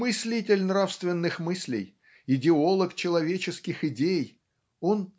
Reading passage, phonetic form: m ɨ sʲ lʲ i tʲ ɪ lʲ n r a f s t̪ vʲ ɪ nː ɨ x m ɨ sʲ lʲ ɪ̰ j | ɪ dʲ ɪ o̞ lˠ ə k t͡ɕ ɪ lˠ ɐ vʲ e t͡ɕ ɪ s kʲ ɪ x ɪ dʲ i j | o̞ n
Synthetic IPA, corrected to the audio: m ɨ sʲ lʲ i tʲ ɪ lʲ n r a f s t̪ vʲ ɪ nː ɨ x m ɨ sʲ lʲ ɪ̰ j | ɪ dʲ ɪ o̞ lˠ ə k t͡ɕ ɪ lˠ ɐ vʲ e t͡ɕ ɪ s kʲ ɪ x ɪ dʲ e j | o̞ n